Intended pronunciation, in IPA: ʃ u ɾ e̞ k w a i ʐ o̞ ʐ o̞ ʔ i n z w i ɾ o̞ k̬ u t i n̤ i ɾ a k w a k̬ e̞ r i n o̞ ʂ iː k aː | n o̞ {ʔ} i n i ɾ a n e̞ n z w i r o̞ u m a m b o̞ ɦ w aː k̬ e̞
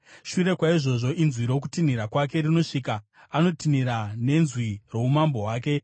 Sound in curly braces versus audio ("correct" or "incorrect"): incorrect